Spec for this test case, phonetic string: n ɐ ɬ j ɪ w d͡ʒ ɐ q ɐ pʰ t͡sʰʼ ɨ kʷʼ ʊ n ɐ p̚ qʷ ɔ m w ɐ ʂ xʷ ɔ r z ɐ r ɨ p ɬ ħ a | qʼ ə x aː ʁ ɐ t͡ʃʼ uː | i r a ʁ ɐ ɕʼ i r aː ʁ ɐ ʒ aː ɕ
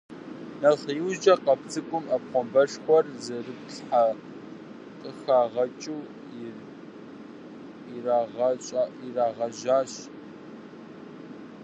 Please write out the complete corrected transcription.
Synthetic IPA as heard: n ɐ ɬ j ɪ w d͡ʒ ɐ q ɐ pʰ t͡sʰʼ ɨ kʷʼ ʊ m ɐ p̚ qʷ ɔ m b ɐ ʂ xʷ ɔ r z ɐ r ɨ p ɬ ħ a | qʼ ə x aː ʁ ɐ t͡ʃʼ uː | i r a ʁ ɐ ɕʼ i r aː ʁ ɐ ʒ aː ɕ